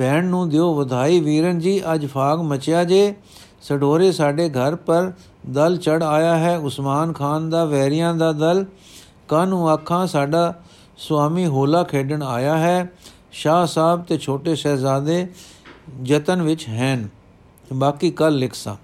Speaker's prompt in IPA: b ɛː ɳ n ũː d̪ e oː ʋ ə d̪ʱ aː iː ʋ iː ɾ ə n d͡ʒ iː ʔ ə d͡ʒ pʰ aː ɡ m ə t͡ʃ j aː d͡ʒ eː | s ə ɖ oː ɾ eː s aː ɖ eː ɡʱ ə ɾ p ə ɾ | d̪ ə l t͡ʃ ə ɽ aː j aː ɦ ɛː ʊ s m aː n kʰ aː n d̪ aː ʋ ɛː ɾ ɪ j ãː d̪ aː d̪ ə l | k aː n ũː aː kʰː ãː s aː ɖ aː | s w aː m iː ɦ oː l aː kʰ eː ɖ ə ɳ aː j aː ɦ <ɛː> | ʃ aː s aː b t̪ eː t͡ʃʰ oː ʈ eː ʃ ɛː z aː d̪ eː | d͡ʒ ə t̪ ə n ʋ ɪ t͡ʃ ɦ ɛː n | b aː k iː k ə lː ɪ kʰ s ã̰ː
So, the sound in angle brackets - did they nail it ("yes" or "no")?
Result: yes